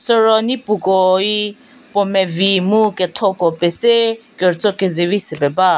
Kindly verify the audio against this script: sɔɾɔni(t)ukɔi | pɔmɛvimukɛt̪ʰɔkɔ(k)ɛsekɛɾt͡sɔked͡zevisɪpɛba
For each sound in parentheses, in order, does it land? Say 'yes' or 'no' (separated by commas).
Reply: no, no